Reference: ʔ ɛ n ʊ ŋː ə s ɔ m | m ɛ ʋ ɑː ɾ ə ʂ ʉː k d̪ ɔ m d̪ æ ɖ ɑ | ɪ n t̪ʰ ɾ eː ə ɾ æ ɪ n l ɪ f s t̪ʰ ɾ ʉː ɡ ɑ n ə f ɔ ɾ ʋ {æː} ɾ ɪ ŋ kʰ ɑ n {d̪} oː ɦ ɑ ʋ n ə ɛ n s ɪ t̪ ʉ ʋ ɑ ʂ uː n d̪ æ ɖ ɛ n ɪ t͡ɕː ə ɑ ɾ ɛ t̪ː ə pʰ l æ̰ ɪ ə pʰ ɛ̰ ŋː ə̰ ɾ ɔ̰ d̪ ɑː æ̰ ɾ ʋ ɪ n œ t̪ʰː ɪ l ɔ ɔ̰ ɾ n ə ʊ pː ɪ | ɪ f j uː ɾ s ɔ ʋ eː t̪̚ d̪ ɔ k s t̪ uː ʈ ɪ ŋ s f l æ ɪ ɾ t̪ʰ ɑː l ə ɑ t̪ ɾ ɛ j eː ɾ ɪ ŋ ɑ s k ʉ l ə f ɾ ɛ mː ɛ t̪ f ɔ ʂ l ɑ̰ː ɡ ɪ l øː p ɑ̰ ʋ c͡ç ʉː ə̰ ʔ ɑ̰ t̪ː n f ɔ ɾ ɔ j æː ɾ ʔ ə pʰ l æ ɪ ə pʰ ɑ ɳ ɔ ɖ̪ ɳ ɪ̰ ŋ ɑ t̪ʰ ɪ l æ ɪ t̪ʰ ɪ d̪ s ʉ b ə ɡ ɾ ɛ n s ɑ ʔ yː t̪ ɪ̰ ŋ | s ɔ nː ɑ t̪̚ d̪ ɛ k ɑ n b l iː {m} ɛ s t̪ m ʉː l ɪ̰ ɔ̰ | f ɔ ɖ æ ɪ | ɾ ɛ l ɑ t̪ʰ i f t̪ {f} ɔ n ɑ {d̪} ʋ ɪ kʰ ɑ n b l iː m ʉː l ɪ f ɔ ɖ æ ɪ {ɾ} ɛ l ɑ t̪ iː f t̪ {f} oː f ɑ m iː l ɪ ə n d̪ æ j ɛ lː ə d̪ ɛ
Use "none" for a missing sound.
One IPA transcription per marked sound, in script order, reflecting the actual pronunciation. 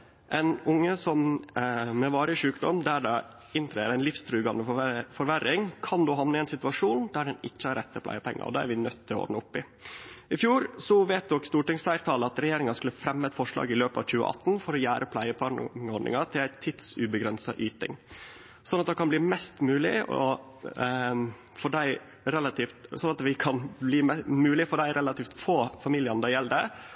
æ, d̪, m, s, t̪, ɾ, f

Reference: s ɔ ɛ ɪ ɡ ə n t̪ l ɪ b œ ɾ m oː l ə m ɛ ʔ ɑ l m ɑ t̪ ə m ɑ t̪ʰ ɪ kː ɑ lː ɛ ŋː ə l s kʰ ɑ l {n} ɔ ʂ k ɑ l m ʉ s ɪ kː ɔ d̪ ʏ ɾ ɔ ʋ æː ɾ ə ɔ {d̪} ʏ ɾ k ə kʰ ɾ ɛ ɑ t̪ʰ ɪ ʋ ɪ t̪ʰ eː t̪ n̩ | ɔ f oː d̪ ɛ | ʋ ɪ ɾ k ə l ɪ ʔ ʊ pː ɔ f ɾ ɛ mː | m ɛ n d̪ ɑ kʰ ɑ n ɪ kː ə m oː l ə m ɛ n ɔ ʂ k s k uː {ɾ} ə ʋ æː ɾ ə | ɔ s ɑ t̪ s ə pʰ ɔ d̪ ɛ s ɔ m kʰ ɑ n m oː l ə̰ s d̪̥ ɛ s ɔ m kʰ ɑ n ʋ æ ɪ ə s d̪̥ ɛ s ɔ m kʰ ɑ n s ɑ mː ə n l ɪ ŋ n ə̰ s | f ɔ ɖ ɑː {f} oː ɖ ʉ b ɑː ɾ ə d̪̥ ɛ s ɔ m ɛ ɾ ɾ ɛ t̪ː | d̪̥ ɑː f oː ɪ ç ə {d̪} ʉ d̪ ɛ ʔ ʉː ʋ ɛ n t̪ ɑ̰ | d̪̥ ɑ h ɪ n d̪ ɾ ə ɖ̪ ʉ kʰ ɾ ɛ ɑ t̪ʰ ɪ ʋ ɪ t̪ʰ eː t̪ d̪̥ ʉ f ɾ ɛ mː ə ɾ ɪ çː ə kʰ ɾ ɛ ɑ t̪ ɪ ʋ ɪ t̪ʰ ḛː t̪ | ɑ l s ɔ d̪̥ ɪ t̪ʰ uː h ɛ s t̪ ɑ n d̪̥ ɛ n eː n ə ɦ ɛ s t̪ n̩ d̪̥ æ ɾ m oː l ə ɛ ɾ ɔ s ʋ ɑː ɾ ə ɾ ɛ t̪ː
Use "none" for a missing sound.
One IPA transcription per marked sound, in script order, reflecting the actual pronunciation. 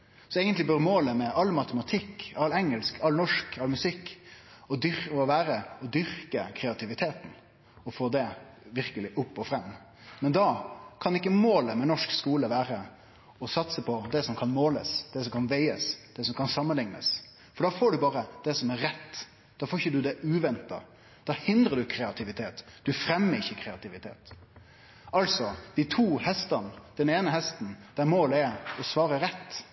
n, d̪, l, f, d̪

